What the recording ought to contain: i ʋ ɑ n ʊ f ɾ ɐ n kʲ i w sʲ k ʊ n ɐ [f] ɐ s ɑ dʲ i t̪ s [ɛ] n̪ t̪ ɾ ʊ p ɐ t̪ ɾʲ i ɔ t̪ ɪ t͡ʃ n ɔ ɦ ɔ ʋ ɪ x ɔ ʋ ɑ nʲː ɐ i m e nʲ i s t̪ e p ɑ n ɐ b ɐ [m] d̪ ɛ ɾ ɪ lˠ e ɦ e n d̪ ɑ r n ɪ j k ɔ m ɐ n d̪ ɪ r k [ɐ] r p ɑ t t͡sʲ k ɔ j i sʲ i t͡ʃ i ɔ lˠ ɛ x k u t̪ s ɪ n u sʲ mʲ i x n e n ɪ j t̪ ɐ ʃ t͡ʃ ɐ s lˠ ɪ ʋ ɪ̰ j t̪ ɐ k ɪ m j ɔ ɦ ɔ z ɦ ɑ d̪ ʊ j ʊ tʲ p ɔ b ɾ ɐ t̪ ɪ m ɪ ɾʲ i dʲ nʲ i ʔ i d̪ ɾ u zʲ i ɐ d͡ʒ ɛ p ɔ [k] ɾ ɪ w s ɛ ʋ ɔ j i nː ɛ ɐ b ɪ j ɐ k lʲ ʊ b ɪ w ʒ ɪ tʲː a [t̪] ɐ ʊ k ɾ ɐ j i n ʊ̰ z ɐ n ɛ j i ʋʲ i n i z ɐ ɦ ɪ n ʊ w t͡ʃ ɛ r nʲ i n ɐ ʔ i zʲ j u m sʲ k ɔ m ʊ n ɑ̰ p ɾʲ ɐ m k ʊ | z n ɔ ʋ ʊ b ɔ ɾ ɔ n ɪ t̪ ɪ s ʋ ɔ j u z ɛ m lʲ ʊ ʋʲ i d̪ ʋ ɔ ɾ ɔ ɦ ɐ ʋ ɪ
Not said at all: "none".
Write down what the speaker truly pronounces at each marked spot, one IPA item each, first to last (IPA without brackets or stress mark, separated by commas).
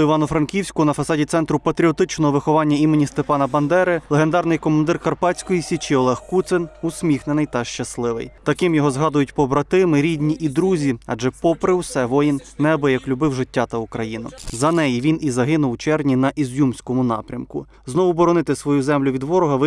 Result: f, ɛ, n, ɐ, p, t̪